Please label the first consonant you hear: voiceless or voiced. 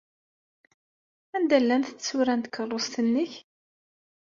voiced